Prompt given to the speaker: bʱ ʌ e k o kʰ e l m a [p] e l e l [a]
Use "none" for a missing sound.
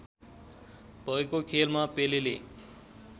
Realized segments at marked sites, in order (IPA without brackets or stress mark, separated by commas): p, e